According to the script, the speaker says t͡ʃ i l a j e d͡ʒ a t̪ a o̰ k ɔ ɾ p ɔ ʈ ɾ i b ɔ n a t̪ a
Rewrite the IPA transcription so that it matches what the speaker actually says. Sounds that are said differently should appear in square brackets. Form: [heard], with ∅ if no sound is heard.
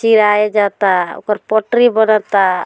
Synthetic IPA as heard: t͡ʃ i [ɾ] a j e d͡ʒ a t̪ a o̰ k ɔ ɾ p ɔ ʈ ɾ i b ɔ n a t̪ a